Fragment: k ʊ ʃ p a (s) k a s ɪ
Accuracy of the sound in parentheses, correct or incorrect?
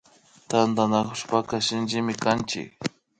incorrect